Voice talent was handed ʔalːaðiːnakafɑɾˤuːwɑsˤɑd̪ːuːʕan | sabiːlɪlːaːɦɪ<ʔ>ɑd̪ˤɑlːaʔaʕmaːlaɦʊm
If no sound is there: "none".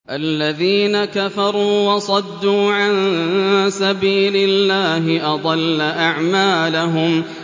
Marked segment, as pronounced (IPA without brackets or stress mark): ʔ